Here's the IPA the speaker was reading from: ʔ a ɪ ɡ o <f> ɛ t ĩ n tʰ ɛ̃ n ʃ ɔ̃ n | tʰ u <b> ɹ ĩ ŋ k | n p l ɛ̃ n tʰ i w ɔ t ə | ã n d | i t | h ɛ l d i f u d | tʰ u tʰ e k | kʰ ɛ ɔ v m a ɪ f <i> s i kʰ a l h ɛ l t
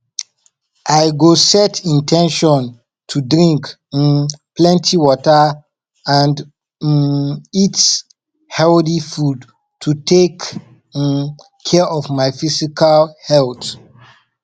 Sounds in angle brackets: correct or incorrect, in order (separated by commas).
incorrect, incorrect, correct